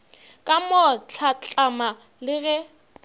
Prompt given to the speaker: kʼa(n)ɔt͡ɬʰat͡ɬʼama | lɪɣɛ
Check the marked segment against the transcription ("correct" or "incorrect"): incorrect